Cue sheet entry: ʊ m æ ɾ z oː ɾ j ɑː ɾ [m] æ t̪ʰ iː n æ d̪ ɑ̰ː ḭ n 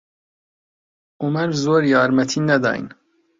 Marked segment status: correct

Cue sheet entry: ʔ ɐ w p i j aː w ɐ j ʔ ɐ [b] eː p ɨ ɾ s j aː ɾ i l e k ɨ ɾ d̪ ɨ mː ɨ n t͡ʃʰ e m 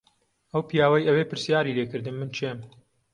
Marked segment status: incorrect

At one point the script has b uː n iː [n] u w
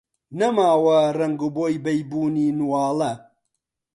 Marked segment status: correct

